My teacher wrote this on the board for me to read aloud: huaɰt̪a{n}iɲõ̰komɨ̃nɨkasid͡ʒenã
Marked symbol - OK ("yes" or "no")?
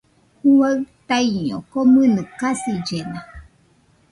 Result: no